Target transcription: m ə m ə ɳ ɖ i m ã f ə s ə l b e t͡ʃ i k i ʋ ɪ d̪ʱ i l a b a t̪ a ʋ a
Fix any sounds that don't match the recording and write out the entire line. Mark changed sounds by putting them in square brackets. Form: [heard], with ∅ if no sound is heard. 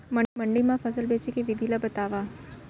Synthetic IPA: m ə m ə ɳ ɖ i m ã f ə s ə l b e t͡ʃ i k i ʋ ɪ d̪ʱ i l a b [ə] t̪ a ʋ a